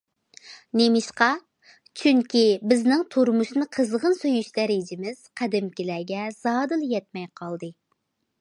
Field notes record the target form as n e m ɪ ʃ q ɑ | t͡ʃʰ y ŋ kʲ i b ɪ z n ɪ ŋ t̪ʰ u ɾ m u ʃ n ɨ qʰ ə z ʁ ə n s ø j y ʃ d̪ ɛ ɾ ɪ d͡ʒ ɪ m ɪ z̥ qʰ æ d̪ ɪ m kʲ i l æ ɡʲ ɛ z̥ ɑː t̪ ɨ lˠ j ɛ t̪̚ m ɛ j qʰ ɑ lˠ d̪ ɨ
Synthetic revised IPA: n e m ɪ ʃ q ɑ | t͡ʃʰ y ŋ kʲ i b ɪ z n ɪ ŋ t̪ʰ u ɾ m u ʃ n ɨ qʰ ə z ʁ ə n s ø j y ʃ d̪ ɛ ɾ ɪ d͡ʒ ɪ m ɪ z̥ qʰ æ d̪ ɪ m kʲ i l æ ɡʲ ɛ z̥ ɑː d̪ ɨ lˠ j ɛ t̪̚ m ɛ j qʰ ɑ lˠ d̪ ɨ